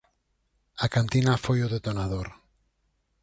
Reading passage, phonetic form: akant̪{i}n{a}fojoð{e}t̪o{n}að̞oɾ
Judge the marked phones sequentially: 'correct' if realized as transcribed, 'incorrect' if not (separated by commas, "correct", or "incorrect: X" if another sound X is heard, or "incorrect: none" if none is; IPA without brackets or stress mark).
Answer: correct, correct, correct, correct